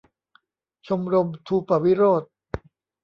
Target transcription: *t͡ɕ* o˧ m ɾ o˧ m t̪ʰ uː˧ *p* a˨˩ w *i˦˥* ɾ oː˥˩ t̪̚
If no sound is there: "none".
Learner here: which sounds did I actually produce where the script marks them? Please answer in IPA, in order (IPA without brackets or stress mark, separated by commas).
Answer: t͡ɕʰ, p, i˦˥